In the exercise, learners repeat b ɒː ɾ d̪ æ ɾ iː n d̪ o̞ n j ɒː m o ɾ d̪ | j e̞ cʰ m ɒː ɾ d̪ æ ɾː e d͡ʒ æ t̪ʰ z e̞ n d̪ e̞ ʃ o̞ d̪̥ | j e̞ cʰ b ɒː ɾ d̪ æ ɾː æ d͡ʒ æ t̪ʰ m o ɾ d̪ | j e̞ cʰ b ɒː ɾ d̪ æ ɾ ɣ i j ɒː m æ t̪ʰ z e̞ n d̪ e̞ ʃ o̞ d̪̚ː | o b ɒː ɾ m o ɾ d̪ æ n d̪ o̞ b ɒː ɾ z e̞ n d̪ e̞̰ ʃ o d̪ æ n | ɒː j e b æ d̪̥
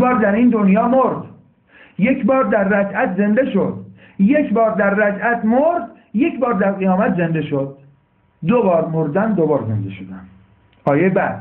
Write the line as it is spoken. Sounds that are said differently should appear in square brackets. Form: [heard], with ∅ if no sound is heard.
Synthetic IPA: b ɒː ɾ d̪ æ ɾ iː n d̪ o̞ n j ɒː m o ɾ d̪ | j e̞ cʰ [b] ɒː ɾ d̪ æ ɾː [æ] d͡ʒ æ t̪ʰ z e̞ n d̪ e̞ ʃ o̞ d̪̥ | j e̞ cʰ b ɒː ɾ d̪ æ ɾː æ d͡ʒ æ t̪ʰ m o ɾ d̪ | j e̞ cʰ b ɒː ɾ d̪ æ ɾ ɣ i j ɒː m æ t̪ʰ z e̞ n d̪ e̞ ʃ o̞ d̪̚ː | o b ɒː ɾ m o ɾ d̪ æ n d̪ o̞ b ɒː ɾ z e̞ n d̪ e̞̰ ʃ o d̪ æ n | ɒː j e b æ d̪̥